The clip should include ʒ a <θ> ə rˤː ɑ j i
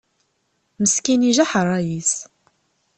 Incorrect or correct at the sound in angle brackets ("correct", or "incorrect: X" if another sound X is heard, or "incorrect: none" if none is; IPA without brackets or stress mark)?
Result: incorrect: ħ